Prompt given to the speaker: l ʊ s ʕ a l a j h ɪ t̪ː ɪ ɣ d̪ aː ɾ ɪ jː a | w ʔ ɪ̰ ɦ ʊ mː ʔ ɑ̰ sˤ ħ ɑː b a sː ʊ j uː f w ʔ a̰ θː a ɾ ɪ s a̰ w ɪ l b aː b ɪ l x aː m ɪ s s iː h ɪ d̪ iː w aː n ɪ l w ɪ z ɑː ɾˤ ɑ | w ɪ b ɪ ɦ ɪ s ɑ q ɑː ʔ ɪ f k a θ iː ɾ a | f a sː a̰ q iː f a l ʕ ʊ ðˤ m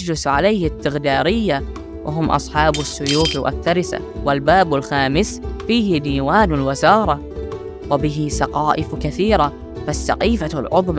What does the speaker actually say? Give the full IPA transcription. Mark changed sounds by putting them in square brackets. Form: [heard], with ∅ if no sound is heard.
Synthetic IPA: l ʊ s ʕ a l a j h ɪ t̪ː ɪ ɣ d̪ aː ɾ ɪ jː a | w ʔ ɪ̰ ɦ ʊ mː ʔ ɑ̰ sˤ ħ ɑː b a sː ʊ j uː f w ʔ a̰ θː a ɾ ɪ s a̰ w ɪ l b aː b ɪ l x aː m ɪ s [f] iː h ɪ d̪ iː w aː n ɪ l w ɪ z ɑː ɾˤ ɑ | w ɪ b ɪ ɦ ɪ s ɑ q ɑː ʔ ɪ f k a θ iː ɾ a | f a sː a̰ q iː f a l ʕ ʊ ðˤ m